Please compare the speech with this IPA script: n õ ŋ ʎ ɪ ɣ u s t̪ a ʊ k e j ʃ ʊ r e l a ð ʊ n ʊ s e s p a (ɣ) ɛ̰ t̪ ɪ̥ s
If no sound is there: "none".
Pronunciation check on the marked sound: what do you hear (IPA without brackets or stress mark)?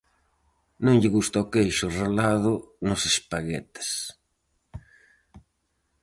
ɣ